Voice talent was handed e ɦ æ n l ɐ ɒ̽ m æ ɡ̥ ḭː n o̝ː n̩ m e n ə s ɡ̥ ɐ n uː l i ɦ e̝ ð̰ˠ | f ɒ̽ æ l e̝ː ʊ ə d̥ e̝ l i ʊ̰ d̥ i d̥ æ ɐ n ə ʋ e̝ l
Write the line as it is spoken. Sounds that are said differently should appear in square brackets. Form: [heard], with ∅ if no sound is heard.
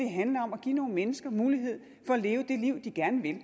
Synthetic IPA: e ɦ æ n l ɐ ɒ̽ m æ ɡ̥ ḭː n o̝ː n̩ m e n ə s ɡ̥ ɐ [m] uː l i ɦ e̝ ð̰ˠ | f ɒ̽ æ l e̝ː ʊ ə d̥ e̝ l i ʊ̰ d̥ i [ɡ̥] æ ɐ n ə ʋ e̝ l